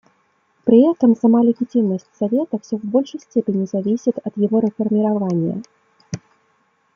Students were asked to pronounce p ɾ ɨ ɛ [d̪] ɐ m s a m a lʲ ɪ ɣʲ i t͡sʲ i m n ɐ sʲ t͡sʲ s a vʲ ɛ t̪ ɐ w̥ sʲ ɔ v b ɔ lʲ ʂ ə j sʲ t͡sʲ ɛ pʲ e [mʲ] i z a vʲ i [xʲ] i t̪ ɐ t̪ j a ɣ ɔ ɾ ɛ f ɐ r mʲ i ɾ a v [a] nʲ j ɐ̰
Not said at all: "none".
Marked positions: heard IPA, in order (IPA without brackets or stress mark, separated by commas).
t̪, nʲ, sʲ, a